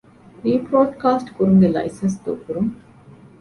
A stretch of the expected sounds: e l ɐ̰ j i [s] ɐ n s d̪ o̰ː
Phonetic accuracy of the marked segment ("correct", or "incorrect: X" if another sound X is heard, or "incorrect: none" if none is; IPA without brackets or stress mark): correct